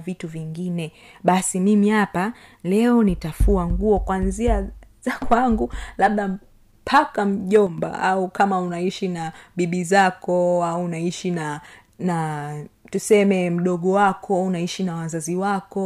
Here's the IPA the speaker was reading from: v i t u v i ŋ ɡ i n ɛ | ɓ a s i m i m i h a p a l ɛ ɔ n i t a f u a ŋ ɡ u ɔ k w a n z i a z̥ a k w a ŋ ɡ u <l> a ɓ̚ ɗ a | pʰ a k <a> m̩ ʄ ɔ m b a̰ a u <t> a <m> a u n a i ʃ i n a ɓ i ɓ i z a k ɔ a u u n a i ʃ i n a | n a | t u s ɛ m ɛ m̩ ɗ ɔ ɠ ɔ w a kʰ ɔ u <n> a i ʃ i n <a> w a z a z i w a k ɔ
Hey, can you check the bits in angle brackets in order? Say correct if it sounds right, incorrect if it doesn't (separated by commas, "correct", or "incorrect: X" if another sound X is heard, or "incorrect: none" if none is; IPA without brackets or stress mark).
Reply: correct, correct, incorrect: k, correct, correct, correct